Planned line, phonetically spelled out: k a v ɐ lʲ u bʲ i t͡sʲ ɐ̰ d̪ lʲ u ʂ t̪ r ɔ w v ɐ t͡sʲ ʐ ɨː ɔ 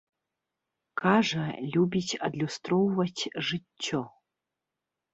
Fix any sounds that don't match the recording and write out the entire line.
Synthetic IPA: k a ʐ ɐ lʲ u bʲ i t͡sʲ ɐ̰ d̪ lʲ u s t̪ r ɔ w v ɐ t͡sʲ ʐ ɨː ɔ